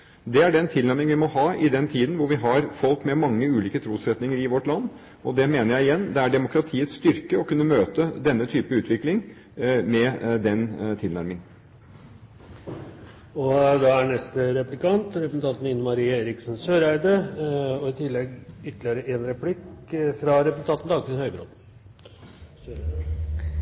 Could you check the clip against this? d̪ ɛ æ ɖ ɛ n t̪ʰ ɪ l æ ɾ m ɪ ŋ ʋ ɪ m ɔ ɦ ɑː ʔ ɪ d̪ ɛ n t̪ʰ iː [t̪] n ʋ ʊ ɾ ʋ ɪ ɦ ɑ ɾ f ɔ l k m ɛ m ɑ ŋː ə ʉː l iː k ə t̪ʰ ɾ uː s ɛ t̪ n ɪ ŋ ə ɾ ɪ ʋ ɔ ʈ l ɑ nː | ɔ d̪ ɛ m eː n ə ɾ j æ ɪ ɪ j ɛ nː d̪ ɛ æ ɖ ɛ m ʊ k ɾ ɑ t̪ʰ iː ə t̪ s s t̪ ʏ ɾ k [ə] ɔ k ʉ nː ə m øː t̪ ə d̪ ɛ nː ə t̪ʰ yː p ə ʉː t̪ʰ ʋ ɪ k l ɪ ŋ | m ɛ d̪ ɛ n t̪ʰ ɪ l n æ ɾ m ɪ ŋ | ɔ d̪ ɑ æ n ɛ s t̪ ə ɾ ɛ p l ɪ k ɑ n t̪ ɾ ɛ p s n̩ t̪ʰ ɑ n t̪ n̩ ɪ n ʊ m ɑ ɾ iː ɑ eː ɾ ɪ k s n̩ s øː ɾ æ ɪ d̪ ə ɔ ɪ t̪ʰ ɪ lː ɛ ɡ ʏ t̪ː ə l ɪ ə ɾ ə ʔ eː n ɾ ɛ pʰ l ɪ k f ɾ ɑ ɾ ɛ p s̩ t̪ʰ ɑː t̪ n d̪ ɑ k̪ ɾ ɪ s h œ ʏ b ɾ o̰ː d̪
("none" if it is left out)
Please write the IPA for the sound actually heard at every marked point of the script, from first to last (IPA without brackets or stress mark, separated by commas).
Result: d̪, ə